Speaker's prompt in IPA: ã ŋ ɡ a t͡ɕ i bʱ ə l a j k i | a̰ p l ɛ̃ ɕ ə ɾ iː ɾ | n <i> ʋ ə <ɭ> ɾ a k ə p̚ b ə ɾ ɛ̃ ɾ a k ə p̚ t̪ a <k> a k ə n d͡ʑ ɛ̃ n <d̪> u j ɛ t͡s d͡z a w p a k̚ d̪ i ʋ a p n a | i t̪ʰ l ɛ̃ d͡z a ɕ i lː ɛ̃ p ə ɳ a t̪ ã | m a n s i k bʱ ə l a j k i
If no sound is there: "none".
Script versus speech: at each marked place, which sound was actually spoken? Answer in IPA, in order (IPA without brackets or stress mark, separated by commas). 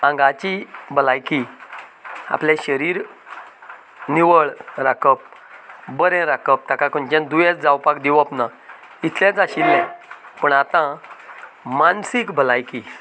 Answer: i, ɭ, k, d̪